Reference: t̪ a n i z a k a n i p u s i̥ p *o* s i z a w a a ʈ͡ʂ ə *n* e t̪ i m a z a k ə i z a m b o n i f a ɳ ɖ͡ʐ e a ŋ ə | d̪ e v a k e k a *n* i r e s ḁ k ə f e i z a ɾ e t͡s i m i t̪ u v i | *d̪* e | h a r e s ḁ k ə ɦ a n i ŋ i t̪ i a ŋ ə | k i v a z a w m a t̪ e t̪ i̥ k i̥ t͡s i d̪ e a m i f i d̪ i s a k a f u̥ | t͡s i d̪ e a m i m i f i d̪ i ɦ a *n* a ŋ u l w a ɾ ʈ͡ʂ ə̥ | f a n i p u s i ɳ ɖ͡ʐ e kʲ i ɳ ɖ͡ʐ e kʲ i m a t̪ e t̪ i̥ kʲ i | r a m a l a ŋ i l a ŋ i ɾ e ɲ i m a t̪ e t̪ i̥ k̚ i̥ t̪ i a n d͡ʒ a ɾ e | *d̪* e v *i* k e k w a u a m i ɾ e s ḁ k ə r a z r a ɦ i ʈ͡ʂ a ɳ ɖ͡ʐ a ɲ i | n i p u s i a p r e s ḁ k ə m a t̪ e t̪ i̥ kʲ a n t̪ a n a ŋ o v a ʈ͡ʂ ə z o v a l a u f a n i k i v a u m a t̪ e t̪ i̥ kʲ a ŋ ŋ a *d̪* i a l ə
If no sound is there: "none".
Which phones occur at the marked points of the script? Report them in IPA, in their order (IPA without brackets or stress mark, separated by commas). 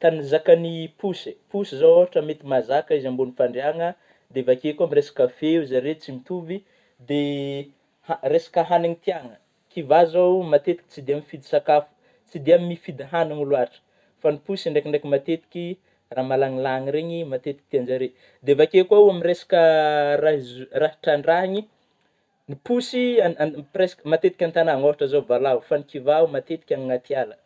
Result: u, m, m, d̪, n, d̪, a, t̪